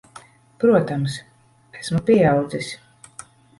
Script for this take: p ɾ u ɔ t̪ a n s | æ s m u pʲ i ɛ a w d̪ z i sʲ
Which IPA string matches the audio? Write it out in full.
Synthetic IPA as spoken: p ɾ u ɔ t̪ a m s | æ s m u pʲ i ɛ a w d̪ z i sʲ

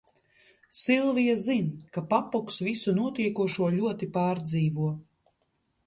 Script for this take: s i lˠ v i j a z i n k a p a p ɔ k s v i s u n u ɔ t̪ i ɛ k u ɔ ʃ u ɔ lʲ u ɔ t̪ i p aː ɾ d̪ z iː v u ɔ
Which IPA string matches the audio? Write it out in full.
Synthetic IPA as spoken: s i lˠ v i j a z i n k a p a p ɔ k s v i s u n u ɔ t̪ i ɛ k u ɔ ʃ u ɔ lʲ u ɔ t̪ i p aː ɾ d̪ z iː v u ɔ

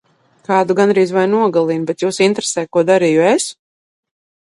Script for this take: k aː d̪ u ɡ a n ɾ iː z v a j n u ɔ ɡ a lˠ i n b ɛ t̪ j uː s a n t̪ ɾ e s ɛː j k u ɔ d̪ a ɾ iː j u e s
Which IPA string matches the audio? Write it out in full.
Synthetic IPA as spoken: k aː d̪ u ɡ a n ɾ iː z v a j n u ɔ ɡ a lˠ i n b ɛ t̪ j uː s i n t̪ ɾ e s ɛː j k u ɔ d̪ a ɾ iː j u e s

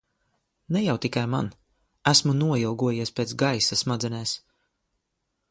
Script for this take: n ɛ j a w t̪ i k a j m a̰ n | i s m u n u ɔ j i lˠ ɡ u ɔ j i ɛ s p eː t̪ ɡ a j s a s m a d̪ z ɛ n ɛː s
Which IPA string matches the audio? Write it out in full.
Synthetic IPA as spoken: n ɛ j a w t̪ i k a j m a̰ n | æ s m u n u ɔ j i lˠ ɡ u ɔ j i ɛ s p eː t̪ ɡ a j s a s m a d̪ z ɛ n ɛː s

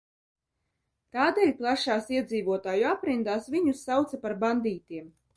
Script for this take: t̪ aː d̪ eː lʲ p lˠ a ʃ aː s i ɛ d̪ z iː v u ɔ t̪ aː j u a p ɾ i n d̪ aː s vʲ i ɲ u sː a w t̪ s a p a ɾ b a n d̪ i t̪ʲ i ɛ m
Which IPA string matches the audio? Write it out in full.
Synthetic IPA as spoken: t̪ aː d̪ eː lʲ p lˠ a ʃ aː s i ɛ d̪ z iː v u ɔ t̪ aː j u a p ɾ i n d̪ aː s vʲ i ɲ u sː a w t̪ s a p a ɾ b a n d̪ iː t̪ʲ i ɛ m

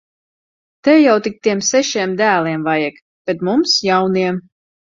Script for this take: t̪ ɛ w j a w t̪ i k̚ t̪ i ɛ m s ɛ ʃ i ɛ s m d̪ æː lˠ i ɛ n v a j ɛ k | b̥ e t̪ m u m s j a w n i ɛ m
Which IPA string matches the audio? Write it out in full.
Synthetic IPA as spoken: t̪ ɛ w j a w t̪ i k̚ t̪ i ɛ m s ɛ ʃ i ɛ m d̪ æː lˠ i ɛ m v a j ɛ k | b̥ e t̪ m u m s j a w n i ɛ m

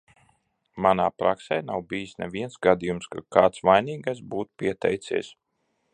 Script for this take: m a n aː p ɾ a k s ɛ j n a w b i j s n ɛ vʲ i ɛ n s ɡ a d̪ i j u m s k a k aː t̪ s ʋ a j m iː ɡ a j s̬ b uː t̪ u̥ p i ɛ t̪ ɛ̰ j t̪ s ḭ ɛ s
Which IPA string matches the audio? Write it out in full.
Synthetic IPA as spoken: m a n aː p ɾ a k s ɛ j n a w b i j s n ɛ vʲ i ɛ n s ɡ a d̪ i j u m s k a k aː t̪ s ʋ a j n iː ɡ a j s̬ b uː t̪ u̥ p i ɛ t̪ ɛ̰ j t̪ s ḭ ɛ s

